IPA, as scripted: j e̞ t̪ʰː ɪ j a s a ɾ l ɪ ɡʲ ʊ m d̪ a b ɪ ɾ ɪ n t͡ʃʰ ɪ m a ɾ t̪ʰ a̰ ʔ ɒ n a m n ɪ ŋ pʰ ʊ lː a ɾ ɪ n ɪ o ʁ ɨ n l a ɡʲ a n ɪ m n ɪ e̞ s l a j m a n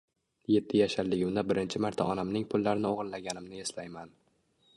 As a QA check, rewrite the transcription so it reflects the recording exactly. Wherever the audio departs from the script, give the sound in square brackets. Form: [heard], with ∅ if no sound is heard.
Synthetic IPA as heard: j e̞ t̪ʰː ɪ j a [ʃ] a ɾ l ɪ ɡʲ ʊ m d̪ a b ɪ ɾ ɪ n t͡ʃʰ ɪ m a ɾ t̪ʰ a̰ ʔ ɒ n a m n ɪ ŋ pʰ ʊ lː a ɾ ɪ n ɪ o ʁ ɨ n l a ɡʲ a n ɪ m n ɪ e̞ s l a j m a n